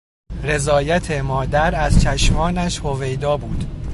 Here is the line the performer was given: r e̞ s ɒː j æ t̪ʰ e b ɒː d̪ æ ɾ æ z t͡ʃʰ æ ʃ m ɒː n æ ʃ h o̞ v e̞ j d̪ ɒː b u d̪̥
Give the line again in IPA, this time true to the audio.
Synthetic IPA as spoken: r e̞ z ɒː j æ t̪ʰ e m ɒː d̪ æ ɾ æ z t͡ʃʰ æ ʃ m ɒː n æ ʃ h o̞ v e̞ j d̪ ɒː b uː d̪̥